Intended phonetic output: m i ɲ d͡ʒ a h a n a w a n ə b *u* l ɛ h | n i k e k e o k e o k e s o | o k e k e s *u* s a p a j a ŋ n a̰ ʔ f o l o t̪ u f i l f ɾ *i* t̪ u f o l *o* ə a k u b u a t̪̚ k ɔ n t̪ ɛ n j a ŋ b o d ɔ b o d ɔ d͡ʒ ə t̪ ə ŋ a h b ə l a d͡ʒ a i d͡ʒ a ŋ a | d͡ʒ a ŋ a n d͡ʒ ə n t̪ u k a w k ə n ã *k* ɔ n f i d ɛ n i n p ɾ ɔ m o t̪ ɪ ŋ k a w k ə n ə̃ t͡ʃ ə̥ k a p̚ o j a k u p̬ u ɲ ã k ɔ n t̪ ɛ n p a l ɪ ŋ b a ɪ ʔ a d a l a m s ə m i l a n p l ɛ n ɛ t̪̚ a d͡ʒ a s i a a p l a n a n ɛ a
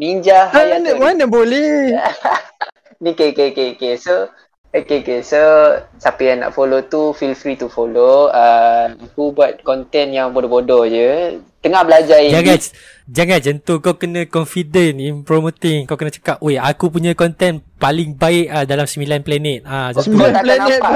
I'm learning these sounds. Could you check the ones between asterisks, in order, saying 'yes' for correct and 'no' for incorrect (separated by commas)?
no, no, yes, yes, yes